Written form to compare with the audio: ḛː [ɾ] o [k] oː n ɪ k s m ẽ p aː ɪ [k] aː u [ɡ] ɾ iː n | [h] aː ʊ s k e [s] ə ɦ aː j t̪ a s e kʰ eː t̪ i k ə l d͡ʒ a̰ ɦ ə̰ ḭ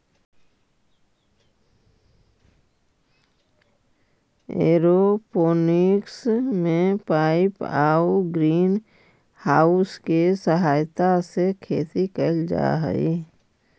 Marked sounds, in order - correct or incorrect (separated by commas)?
correct, incorrect, incorrect, correct, correct, correct